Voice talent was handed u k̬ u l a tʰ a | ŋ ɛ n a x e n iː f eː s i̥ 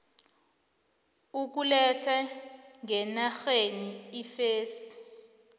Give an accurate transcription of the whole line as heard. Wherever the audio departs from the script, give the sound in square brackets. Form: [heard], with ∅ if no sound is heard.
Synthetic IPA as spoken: u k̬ u l [ɛ] tʰ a | ŋ ɛ n a x e n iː f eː s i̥